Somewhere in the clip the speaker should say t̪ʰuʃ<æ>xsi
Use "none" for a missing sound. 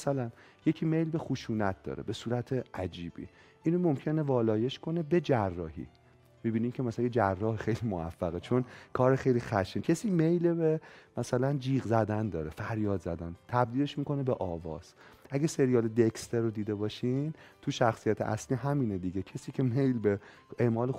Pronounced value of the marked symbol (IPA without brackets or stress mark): æ